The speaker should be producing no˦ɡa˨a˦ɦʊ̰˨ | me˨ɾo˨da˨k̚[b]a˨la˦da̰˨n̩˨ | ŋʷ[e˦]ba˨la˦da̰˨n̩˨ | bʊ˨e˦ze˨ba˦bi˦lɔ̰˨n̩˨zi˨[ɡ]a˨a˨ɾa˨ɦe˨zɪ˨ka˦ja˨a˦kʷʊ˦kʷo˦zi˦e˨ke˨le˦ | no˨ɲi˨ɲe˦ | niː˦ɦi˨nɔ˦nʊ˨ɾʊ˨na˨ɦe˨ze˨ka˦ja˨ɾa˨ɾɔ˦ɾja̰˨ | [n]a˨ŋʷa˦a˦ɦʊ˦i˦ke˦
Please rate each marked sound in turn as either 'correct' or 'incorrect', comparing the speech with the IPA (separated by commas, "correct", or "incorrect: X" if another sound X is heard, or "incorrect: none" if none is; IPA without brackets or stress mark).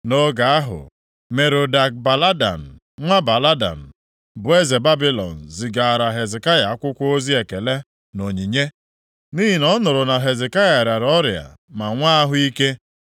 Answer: correct, incorrect: a˦, correct, incorrect: m